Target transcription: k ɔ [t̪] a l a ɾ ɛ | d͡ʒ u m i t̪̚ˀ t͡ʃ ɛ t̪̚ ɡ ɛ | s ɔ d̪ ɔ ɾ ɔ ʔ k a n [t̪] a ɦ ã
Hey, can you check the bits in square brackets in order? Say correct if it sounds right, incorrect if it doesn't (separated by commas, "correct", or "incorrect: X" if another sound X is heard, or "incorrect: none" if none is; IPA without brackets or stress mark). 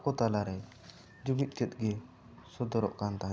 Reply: correct, correct